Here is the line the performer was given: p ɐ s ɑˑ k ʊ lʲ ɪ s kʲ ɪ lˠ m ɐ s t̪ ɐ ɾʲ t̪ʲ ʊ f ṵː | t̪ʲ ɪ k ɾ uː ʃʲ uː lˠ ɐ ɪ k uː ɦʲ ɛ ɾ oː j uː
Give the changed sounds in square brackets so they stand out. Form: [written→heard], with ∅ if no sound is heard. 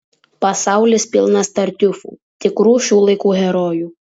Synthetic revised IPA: p ɐ s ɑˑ [k→∅] ʊ lʲ ɪ s [kʲ→pʲ] ɪ lˠ [m→n] ɐ s t̪ ɐ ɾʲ t̪ʲ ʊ f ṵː | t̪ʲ ɪ k ɾ uː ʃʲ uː lˠ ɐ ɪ k uː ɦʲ ɛ ɾ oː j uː